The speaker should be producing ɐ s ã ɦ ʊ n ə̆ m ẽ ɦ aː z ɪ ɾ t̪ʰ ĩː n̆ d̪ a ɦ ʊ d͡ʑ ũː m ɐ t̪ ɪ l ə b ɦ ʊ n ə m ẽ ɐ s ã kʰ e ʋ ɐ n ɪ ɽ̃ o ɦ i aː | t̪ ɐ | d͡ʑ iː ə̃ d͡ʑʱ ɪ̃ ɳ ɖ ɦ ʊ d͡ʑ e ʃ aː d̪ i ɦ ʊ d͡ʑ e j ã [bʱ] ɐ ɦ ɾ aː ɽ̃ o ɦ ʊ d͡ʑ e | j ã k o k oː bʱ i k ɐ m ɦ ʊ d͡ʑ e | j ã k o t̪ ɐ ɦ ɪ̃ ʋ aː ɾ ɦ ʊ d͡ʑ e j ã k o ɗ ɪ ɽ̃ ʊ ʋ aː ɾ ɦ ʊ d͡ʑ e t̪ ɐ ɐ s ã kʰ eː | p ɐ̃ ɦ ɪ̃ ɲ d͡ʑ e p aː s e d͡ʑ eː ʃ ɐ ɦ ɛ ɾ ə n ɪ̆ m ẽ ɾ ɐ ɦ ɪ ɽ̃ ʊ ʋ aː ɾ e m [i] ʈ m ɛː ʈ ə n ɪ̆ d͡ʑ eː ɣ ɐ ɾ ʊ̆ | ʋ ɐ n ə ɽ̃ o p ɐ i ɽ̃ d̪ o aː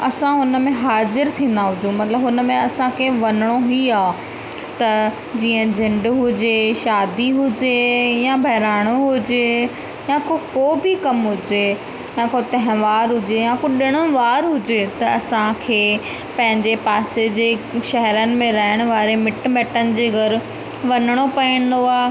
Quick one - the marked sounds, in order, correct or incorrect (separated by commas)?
correct, incorrect